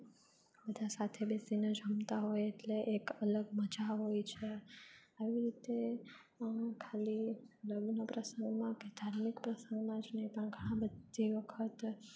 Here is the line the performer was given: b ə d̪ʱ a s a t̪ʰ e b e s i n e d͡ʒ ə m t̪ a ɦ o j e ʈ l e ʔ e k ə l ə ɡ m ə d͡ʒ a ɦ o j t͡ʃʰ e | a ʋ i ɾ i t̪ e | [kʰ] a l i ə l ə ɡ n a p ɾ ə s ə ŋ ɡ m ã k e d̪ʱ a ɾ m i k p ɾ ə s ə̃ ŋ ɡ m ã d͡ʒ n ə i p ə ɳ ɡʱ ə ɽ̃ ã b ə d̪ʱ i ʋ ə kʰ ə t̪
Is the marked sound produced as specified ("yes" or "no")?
yes